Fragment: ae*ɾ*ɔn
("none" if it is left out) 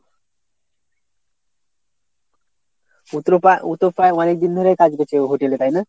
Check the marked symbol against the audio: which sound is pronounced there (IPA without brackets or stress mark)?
none